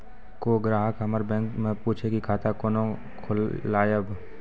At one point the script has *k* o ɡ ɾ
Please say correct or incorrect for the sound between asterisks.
correct